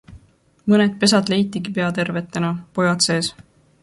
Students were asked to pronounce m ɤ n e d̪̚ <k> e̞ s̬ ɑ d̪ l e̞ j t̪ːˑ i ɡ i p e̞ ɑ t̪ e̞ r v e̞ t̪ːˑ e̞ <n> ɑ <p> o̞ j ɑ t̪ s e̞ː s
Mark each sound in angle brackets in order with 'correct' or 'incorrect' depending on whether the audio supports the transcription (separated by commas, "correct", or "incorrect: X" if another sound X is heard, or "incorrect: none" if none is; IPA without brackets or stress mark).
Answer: incorrect: p, correct, correct